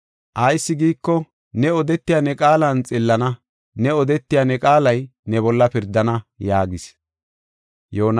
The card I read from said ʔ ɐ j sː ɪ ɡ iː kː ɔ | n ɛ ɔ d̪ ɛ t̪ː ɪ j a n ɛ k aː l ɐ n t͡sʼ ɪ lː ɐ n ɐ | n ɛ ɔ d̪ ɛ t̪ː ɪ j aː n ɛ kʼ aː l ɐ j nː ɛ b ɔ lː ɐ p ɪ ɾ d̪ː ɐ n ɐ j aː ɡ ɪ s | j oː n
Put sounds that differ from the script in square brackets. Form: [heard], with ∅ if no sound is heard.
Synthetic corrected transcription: ʔ ɐ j sː ɪ ɡ iː kː ɔ | n ɛ ɔ d̪ ɛ t̪ː ɪ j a n ɛ [kʼ] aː l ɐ n t͡sʼ ɪ lː ɐ n ɐ | n ɛ ɔ d̪ ɛ t̪ː ɪ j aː n ɛ kʼ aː l ɐ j [n] ɛ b ɔ lː ɐ p ɪ ɾ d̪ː ɐ n ɐ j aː ɡ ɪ s | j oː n